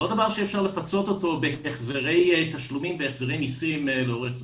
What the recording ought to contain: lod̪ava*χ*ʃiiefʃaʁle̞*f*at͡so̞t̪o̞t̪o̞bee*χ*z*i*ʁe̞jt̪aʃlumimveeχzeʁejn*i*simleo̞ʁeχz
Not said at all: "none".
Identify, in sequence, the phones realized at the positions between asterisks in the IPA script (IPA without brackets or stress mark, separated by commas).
ʁ, f, χ, e, i